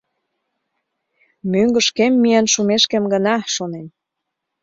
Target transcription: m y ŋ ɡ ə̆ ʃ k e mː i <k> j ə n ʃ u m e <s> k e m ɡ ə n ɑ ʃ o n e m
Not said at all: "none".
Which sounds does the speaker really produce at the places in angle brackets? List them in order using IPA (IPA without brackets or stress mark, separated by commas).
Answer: none, ʃ